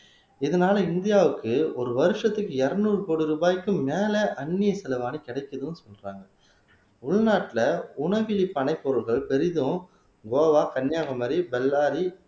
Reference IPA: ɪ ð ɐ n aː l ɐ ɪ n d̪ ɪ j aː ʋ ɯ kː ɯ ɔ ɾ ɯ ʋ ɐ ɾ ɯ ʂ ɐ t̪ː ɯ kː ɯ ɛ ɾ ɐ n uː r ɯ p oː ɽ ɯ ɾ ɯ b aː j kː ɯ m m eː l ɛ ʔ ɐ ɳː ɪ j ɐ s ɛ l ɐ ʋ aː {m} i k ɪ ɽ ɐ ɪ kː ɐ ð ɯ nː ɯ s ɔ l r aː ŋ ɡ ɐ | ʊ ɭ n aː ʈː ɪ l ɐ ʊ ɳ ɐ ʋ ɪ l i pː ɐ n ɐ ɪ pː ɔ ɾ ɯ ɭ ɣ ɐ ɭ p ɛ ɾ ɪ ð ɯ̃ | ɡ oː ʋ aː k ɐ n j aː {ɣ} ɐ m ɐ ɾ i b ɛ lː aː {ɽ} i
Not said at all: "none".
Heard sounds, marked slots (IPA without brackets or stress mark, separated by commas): n, ɣ, ɾ